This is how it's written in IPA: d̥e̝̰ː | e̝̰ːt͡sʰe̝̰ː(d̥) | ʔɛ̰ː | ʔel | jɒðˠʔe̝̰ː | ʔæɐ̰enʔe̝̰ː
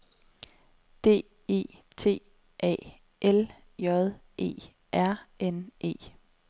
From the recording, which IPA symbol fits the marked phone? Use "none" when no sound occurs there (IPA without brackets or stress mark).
none